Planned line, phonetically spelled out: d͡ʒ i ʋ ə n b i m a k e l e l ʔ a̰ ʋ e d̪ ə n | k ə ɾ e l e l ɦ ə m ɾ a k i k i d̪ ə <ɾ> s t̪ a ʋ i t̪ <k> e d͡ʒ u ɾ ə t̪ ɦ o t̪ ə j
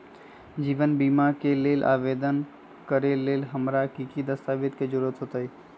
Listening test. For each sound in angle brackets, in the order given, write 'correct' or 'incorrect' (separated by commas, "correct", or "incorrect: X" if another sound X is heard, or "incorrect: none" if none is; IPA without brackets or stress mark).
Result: incorrect: none, correct